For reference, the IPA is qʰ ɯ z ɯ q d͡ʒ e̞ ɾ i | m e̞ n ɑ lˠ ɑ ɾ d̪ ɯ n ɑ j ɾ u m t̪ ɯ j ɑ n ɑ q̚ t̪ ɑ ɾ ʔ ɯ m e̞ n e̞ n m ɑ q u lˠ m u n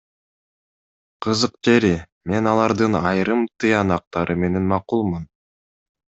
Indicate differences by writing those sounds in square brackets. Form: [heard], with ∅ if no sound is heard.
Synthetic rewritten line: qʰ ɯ z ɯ q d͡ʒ e̞ ɾ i | m e̞ n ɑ lˠ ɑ ɾ d̪ ɯ n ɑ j ɾ [ɯ] m t̪ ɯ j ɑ n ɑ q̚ t̪ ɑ ɾ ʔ ɯ m e̞ n e̞ n m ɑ q u lˠ m u n